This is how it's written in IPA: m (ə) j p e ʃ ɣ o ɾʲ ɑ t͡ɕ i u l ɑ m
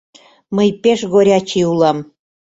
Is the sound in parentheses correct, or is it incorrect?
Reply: correct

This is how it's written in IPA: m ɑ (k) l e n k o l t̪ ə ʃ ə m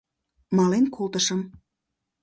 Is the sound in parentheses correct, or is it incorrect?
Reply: incorrect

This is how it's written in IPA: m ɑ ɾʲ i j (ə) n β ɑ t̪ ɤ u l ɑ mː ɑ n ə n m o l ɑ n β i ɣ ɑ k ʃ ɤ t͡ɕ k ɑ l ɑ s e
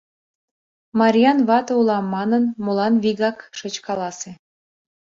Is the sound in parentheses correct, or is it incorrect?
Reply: incorrect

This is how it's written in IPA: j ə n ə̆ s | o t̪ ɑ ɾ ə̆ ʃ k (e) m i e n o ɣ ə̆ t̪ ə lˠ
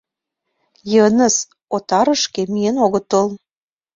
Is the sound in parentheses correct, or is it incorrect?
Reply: correct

